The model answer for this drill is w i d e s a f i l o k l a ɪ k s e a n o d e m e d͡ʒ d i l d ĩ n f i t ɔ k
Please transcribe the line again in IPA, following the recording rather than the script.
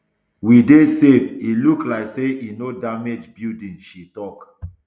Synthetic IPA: w i d e s e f i l u k l a ɪ k s e i n o d a m e d͡ʒ b i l d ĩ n ʃ i t ɔ k